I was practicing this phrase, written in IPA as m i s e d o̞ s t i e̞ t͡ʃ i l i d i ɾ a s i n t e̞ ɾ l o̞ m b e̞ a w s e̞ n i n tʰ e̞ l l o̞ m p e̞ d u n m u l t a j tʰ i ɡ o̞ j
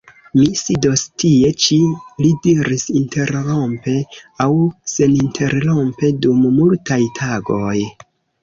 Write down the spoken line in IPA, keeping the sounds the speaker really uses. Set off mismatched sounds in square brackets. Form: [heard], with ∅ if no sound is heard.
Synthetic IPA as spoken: m i s [i] d o̞ s t i e̞ t͡ʃ i l i d i ɾ [i] s i n t e̞ ɾ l o̞ m [p] e̞ a w s e̞ n i n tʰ e̞ [ɾ] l o̞ m p e̞ d u [m] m u l t a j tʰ [a] ɡ o̞ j